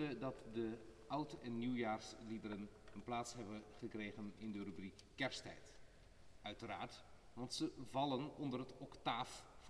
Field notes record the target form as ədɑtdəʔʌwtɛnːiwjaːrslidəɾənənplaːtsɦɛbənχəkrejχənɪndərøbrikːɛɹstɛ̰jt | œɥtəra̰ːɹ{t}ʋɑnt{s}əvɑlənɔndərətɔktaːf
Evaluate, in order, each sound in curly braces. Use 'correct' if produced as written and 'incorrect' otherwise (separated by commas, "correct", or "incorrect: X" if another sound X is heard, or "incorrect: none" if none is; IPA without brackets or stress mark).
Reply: correct, correct